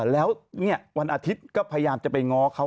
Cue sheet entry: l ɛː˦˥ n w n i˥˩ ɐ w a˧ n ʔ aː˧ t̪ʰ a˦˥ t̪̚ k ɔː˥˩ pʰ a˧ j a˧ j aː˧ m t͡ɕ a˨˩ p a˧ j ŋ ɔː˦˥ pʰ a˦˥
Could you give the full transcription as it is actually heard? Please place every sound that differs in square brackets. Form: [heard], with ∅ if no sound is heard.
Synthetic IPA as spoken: l ɛː˦˥ [∅] w n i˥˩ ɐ w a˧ n ʔ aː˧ t̪ʰ [i˦˥] t̪̚ k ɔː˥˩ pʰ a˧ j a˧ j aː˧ m t͡ɕ a˨˩ p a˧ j ŋ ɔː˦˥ [kʰ] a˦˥